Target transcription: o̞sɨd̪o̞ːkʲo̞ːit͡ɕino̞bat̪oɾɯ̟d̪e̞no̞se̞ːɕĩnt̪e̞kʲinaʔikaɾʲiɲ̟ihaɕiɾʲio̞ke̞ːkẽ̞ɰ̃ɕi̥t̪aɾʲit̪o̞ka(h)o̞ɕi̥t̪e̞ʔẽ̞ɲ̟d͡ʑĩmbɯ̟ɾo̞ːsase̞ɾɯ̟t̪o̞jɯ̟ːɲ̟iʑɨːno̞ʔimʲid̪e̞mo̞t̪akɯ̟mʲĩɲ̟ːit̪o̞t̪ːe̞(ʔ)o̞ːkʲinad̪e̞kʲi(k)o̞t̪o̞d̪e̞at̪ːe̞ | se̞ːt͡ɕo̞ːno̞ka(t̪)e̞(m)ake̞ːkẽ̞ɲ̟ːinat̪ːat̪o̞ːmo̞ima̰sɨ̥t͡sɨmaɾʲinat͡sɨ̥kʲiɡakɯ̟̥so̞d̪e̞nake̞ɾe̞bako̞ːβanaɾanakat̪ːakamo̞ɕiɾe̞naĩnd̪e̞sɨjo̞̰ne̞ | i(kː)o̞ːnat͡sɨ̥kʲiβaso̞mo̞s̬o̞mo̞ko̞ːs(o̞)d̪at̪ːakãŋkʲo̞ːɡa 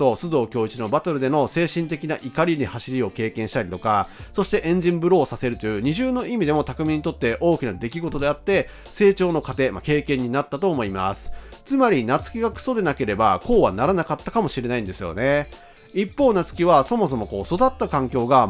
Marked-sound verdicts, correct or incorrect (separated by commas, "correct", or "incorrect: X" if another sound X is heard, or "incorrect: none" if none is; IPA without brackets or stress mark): incorrect: s, correct, incorrect: ɡ, correct, correct, incorrect: pː, correct